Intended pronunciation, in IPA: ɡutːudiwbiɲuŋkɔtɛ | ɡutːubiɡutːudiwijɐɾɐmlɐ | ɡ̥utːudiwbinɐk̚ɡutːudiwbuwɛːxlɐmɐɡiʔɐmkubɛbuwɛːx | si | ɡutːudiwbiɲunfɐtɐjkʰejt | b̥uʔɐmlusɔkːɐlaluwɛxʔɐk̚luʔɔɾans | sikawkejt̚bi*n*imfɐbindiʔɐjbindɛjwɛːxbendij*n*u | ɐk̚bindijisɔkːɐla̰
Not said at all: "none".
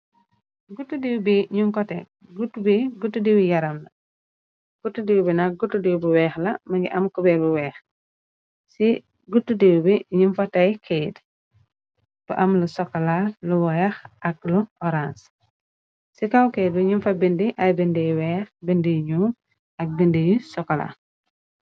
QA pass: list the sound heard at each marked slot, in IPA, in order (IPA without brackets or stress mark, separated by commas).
ɲ, ɲ